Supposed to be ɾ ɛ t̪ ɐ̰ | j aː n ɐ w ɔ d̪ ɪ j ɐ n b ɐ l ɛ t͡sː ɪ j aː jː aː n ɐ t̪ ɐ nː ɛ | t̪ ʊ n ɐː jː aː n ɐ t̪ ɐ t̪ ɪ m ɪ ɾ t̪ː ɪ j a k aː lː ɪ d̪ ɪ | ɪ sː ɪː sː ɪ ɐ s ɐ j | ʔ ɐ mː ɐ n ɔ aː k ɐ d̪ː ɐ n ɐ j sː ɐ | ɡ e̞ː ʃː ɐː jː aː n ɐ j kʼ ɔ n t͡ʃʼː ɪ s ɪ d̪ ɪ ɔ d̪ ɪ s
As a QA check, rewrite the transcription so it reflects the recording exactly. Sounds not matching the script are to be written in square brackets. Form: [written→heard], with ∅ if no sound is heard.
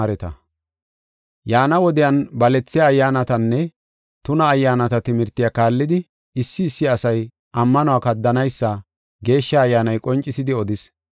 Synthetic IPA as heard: ɾ ɛ t̪ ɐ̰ | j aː n ɐ w ɔ d̪ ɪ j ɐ n b ɐ l ɛ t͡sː ɪ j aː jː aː n ɐ t̪ ɐ nː ɛ | t̪ ʊ n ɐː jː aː n ɐ t̪ ɐ t̪ ɪ m ɪ ɾ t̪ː ɪ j a k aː lː ɪ d̪ ɪ | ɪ sː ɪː sː ɪ ɐ s ɐ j | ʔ ɐ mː ɐ n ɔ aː k ɐ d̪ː ɐ n ɐ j sː ɐ | ɡ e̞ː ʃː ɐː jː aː n ɐ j kʼ ɔ n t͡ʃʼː ɪ s ɪ d̪ ɪ ɔ d̪ ɪ s